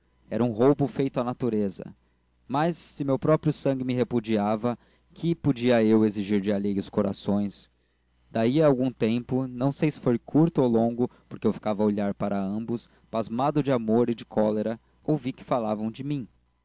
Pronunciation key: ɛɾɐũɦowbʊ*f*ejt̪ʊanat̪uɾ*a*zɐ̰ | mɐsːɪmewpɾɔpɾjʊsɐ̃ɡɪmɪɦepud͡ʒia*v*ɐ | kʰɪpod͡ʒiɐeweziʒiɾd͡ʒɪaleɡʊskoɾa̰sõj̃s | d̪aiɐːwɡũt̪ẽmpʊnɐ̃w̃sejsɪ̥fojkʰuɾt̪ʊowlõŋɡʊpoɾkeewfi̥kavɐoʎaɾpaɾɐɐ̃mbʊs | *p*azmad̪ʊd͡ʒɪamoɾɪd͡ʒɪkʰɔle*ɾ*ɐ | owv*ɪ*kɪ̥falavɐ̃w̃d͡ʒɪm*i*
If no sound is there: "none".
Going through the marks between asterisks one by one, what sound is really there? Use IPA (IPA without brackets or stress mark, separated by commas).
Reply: f, e, v, p, ɾ, i, ĩ